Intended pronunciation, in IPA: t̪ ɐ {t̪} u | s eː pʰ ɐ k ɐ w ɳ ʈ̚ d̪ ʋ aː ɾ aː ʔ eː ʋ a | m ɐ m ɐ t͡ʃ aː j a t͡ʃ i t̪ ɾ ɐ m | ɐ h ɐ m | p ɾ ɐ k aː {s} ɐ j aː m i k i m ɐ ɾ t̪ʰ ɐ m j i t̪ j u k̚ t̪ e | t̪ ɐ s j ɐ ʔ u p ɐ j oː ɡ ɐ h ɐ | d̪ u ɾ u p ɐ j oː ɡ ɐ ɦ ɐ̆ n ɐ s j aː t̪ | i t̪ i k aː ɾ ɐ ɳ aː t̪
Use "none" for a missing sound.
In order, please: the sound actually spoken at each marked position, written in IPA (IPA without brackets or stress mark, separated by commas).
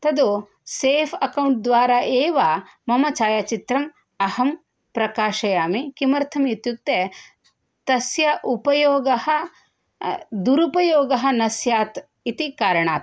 d̪, ʃ